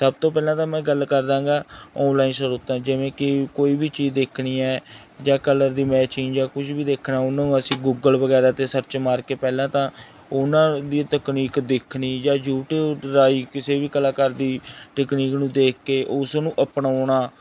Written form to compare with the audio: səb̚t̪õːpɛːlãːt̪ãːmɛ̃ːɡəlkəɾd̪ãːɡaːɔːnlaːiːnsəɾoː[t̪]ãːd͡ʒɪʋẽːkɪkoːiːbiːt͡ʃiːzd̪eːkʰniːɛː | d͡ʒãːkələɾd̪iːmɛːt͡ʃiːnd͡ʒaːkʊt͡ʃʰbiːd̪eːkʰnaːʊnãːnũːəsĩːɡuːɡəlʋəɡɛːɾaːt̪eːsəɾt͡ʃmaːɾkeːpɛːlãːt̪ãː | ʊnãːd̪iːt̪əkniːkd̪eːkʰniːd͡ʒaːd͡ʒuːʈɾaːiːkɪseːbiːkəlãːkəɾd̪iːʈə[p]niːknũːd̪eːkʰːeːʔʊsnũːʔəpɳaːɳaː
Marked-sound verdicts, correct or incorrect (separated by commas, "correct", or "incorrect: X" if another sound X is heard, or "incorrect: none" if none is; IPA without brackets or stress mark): correct, incorrect: k